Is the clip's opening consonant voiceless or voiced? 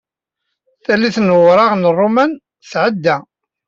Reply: voiceless